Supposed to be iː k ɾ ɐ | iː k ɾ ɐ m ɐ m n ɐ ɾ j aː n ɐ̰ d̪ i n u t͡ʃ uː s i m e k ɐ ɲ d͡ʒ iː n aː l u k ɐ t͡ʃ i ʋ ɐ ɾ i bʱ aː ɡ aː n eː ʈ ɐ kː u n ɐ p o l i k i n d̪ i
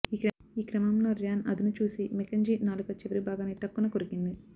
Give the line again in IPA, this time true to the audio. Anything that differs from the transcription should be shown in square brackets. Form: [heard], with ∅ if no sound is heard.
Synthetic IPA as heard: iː k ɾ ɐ | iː k ɾ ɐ m ɐ m n ɐ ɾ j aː n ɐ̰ d̪ i n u t͡ʃ uː s i m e k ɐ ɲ d͡ʒ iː n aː l u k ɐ t͡ʃ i ʋ ɐ ɾ i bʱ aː ɡ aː n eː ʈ ɐ kː u n ɐ [k] o [ɾ] i k i n d̪ i